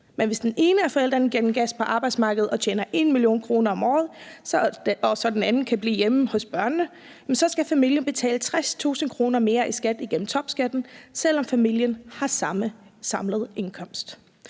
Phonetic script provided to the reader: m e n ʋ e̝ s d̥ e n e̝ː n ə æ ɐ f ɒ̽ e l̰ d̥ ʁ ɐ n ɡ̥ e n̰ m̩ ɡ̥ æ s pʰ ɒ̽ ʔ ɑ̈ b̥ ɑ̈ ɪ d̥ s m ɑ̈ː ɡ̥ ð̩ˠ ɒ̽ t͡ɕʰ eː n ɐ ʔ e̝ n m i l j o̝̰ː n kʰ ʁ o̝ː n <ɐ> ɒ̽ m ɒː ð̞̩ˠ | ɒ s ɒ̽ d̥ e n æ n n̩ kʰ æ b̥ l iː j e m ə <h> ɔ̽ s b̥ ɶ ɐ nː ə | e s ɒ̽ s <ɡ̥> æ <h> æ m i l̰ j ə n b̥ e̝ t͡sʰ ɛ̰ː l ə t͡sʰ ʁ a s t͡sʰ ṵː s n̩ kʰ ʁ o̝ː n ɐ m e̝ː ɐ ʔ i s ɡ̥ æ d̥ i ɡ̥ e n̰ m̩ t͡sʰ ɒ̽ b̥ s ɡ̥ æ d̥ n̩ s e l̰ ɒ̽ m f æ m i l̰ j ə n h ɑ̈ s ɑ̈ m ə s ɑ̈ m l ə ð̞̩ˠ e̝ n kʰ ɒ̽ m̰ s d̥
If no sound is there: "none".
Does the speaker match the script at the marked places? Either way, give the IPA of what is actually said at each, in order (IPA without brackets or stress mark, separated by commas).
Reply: ɐ, h, ɡ̥, f